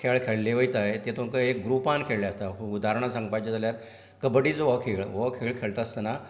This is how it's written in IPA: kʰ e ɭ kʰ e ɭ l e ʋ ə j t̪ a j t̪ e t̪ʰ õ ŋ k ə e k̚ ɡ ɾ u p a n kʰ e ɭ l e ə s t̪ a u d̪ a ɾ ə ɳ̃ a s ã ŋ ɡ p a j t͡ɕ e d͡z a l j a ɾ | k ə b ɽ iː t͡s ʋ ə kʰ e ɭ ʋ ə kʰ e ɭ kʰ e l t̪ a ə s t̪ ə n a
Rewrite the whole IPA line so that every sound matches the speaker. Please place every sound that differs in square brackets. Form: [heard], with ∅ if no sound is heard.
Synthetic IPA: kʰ e ɭ kʰ e ɭ l e ʋ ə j t̪ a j t̪ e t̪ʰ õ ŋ k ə e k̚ ɡ ɾ u p a n kʰ e ɭ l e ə s t̪ a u d̪ a ɾ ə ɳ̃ a s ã ŋ ɡ p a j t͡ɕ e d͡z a l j a ɾ | k ə b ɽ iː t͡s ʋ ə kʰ e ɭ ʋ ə kʰ e ɭ kʰ e [ɭ] t̪ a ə s t̪ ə n a